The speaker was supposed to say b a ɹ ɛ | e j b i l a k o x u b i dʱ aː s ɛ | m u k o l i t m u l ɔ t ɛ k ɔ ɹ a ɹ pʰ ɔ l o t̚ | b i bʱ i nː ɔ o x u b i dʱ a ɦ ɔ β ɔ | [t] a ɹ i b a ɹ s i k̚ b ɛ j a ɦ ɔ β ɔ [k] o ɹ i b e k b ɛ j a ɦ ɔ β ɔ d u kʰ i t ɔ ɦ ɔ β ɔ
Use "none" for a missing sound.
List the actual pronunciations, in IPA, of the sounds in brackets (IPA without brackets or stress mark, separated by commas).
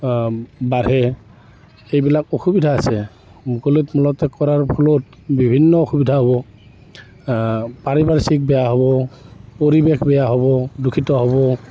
p, p